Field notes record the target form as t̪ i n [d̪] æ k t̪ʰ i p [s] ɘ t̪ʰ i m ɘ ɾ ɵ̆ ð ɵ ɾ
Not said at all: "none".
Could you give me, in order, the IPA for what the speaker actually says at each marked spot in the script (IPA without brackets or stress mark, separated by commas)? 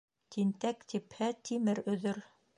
t̪, h